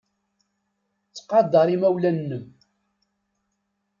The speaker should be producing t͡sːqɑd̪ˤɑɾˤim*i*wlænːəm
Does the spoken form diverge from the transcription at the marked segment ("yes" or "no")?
yes